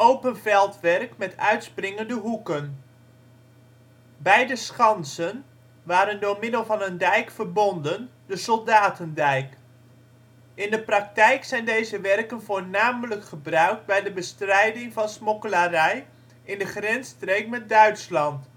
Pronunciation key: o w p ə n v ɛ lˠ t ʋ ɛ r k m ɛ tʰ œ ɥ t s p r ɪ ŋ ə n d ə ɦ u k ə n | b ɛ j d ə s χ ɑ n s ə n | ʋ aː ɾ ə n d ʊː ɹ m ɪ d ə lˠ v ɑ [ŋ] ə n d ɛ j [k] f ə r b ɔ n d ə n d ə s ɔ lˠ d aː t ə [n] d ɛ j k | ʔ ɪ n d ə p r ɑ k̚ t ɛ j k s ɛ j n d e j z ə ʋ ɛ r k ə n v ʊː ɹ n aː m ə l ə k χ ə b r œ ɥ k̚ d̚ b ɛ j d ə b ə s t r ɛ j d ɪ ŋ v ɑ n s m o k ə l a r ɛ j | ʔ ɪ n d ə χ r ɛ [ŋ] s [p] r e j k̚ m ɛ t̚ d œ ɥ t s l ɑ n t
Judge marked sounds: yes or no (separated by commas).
no, yes, yes, no, no